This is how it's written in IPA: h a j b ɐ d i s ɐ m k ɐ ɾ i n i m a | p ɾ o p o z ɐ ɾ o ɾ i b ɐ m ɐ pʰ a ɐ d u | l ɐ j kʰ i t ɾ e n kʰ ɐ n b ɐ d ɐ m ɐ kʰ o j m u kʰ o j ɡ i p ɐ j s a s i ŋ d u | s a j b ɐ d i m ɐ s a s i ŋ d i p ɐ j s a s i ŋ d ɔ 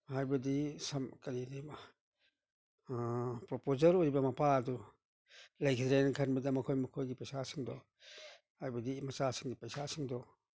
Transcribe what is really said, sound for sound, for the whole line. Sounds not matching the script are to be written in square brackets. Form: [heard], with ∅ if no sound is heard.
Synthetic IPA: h a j b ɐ d i s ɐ m k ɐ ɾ i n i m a | p ɾ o p o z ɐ ɾ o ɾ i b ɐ m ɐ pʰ a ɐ d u | l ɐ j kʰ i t ɾ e n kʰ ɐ n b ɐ d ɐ m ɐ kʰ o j m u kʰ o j ɡ i p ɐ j s a s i ŋ d [ɔ] | [h] a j b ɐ d i m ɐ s a s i ŋ d i p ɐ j s a s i ŋ d ɔ